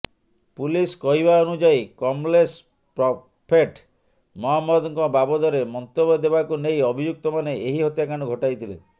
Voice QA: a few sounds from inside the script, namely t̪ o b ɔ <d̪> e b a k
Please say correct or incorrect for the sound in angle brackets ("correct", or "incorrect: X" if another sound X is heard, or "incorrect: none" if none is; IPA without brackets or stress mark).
correct